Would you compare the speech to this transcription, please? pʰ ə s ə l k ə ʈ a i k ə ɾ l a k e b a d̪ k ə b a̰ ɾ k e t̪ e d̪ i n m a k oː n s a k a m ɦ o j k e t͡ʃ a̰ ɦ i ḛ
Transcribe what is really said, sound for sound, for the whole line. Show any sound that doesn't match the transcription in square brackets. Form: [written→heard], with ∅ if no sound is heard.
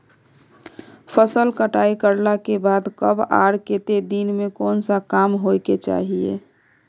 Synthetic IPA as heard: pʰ ə s ə l k ə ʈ a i k ə ɾ l a k e b a d̪ k ə b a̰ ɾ k e t̪ e d̪ i n m [a→e] k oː n s a k a m ɦ o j k e t͡ʃ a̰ ɦ i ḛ

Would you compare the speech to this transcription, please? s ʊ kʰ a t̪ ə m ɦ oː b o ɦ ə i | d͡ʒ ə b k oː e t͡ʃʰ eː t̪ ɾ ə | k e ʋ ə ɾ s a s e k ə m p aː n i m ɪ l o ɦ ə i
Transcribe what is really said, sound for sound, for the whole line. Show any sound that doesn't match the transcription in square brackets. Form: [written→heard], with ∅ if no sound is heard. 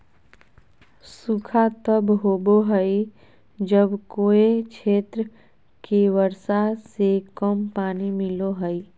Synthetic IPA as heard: s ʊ kʰ a t̪ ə [m→b] ɦ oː b o ɦ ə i | d͡ʒ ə b k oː e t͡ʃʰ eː t̪ ɾ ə | k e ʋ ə ɾ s a s e k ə m p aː n i m ɪ l o ɦ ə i

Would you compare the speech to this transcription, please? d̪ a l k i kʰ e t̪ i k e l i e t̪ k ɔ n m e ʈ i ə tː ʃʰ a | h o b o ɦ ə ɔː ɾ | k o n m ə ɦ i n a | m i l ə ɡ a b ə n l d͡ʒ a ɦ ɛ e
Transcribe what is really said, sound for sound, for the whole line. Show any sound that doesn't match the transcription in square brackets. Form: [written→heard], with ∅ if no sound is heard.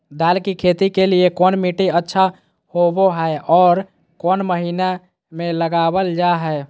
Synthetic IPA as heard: d̪ a l k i kʰ e t̪ i k e l i e [t̪→∅] k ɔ n m [e→i] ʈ i ə tː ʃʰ a | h o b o ɦ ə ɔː ɾ | k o n m ə ɦ i n a | m [i→e] l ə ɡ a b ə [n→∅] l d͡ʒ a ɦ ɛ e

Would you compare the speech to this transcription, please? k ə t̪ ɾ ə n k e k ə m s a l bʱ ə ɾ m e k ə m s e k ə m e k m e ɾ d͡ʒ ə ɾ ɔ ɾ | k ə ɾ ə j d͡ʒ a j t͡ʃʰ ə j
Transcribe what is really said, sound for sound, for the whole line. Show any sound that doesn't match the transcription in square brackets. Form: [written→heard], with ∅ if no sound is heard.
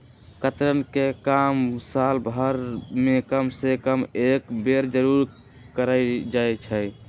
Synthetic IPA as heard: k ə t̪ ɾ ə n k e k [ə→a] m s a l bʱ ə ɾ m e k ə m s e k ə m e k [m→b] e ɾ d͡ʒ ə ɾ [ɔ→u] ɾ | k ə ɾ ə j d͡ʒ a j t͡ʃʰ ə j

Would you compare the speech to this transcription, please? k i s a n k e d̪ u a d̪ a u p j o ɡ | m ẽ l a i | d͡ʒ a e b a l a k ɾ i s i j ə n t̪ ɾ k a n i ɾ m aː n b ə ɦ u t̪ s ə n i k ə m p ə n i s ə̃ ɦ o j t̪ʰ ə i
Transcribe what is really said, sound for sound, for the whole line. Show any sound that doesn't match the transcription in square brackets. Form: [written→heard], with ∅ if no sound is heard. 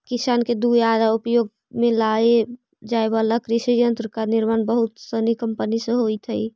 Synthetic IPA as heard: k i s a n k e d̪ u a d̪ a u p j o ɡ | m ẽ l a [i→e] | d͡ʒ a e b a l a k ɾ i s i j ə n t̪ ɾ k a n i ɾ m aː n b ə ɦ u t̪ s ə n i k ə m p ə n i s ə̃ ɦ o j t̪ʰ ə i

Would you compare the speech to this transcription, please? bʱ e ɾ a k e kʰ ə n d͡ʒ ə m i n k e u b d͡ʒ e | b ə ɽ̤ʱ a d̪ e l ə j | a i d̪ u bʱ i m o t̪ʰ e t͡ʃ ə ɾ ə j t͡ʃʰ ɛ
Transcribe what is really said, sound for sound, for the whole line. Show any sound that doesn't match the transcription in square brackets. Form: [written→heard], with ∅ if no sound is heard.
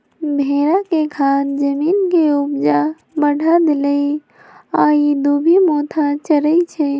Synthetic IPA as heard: bʱ e ɾ a k e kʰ [ə→a] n d͡ʒ ə m i n k e u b d͡ʒ [e→a] | b ə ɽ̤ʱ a d̪ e l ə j | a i d̪ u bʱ i m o t̪ʰ [e→a] t͡ʃ ə ɾ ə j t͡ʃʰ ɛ

